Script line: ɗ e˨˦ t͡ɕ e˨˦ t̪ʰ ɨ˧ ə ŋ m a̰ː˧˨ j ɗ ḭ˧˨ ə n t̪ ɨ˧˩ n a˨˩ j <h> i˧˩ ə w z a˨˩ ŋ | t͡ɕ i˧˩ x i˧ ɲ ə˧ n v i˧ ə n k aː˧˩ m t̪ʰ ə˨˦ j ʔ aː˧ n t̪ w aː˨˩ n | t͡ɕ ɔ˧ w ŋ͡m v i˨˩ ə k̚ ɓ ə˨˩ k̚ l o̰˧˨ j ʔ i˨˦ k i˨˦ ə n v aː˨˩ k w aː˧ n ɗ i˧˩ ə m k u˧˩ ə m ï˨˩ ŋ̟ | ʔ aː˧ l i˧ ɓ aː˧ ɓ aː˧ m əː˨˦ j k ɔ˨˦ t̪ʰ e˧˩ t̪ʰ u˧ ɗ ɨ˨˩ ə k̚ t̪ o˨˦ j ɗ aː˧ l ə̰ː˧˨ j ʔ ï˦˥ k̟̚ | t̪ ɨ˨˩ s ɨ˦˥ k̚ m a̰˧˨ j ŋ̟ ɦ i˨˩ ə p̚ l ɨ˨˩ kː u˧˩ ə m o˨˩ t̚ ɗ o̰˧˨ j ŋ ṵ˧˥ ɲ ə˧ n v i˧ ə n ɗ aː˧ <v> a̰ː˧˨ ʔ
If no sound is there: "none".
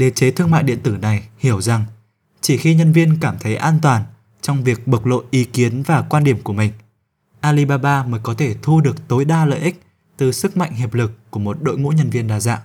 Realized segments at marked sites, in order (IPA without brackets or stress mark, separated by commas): h, z